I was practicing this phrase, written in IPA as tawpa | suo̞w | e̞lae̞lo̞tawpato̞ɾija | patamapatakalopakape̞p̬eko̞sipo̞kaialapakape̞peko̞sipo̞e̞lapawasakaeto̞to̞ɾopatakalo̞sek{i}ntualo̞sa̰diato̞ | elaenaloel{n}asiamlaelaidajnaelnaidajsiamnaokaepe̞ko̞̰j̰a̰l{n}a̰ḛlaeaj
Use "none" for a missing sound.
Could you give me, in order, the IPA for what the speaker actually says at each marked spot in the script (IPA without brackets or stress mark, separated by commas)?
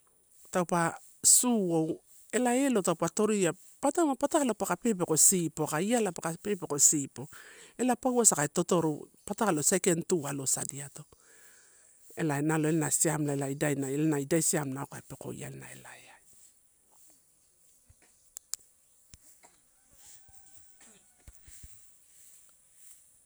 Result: e, n, n